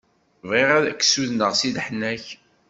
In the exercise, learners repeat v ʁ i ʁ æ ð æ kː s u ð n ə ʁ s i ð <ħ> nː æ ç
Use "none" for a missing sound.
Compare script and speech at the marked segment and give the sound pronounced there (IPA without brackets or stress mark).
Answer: ħ